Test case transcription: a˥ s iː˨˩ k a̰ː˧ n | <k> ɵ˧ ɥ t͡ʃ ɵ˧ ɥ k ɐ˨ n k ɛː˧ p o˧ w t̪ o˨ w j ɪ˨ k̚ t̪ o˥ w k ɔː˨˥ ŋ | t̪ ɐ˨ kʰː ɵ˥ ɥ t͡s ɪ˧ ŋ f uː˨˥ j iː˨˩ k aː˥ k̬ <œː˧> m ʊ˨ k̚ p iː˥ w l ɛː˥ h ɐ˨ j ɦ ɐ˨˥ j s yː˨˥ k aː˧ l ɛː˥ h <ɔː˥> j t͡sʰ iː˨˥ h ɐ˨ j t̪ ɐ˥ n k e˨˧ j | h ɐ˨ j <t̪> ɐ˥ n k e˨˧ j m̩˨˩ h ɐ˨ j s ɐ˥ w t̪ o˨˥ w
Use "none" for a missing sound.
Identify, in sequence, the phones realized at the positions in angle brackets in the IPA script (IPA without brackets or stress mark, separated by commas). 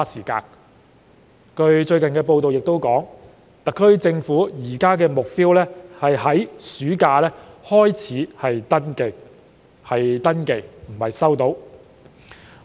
k, ɛː˧, ɔː˥, t̪